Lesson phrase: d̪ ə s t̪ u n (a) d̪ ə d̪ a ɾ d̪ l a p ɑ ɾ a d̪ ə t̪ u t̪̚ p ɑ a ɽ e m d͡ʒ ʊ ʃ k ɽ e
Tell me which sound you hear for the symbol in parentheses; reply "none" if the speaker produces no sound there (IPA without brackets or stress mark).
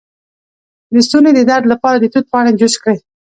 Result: e